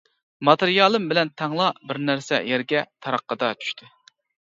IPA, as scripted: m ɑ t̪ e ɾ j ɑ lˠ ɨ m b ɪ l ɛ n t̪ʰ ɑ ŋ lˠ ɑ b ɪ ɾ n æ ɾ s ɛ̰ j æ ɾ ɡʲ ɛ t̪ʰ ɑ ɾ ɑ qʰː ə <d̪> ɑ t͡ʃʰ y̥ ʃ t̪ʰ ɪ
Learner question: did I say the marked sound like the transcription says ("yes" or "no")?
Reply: yes